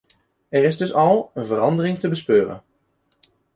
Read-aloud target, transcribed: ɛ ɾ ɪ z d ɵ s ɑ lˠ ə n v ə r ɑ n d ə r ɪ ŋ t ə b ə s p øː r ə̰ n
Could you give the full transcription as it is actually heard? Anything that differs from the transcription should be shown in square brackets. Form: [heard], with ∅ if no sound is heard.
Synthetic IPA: ɛ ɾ ɪ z d ɵ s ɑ lˠ ə n v ə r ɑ n d ə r ɪ ŋ t ə b ə s p øː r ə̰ n